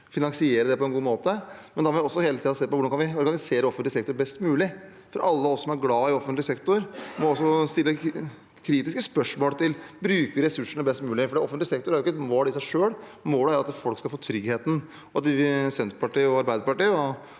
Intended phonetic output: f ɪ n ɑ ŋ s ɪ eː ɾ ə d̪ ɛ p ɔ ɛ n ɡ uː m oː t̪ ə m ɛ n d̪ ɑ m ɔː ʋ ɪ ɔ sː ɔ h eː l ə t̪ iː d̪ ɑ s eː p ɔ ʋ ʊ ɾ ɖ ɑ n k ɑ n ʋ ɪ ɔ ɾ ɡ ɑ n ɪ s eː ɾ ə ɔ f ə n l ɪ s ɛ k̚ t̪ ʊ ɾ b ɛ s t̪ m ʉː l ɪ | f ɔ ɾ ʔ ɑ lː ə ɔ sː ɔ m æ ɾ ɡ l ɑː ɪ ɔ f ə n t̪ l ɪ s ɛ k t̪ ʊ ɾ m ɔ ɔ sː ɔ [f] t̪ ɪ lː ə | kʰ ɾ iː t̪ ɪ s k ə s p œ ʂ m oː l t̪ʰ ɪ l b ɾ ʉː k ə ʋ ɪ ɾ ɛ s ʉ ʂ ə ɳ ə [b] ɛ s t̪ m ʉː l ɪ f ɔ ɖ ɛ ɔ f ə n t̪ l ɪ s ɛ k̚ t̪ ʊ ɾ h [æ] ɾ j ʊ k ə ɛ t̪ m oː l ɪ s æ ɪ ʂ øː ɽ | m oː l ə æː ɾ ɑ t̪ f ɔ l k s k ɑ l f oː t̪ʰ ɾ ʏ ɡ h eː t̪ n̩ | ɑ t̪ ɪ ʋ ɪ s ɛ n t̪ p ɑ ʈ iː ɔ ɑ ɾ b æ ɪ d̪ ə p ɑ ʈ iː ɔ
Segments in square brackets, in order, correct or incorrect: incorrect: s, correct, correct

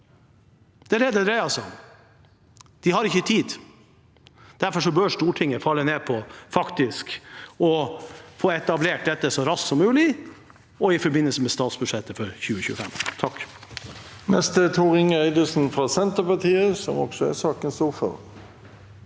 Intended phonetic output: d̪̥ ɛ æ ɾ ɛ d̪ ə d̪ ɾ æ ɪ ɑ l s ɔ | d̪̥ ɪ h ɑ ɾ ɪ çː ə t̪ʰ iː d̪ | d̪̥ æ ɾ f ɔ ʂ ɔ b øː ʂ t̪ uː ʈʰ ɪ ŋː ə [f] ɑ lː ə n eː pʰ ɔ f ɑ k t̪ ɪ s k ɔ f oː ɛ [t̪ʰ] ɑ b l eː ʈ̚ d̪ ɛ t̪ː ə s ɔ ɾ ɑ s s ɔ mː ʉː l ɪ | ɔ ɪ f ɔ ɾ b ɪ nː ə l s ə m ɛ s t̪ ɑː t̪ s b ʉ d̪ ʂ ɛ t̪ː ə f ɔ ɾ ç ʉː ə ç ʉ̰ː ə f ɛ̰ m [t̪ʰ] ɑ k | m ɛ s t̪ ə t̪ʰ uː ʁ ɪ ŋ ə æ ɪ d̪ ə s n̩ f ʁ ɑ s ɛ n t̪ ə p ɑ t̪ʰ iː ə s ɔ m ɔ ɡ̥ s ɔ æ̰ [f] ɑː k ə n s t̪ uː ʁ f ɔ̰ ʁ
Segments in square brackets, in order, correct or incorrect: correct, incorrect: t̪, correct, incorrect: s

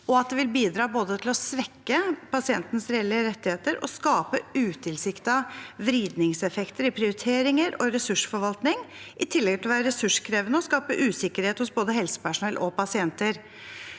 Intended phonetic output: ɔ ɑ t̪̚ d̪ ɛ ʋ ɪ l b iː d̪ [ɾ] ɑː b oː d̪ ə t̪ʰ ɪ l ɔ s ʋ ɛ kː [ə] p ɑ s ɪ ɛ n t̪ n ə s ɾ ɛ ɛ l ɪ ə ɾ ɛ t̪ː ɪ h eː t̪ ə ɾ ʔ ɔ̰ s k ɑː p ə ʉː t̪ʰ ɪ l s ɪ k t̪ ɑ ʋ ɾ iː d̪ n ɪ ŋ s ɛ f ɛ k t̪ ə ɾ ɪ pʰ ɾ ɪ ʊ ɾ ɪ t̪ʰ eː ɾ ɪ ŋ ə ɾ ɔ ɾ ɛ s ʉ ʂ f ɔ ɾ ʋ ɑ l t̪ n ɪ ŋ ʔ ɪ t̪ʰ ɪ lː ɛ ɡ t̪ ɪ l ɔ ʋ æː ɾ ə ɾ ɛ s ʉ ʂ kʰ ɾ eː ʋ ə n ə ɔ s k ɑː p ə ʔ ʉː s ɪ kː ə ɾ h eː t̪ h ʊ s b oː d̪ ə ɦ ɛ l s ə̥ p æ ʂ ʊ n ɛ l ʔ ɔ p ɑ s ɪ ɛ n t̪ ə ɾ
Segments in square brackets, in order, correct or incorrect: correct, correct

